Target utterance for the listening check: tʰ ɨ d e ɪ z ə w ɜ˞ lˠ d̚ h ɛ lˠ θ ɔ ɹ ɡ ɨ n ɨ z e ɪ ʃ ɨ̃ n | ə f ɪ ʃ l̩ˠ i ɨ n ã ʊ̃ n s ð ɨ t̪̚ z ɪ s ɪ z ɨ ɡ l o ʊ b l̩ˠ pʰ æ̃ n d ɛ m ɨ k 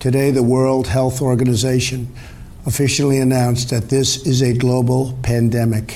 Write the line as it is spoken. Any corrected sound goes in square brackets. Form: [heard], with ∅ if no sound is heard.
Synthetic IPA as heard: tʰ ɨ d e ɪ [ð] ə w ɜ˞ lˠ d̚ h ɛ lˠ θ ɔ ɹ ɡ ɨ n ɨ z e ɪ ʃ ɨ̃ n | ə f ɪ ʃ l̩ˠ i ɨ n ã ʊ̃ n s ð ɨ t̪̚ [ð] ɪ s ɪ z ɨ ɡ l o ʊ b l̩ˠ pʰ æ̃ n d ɛ m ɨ k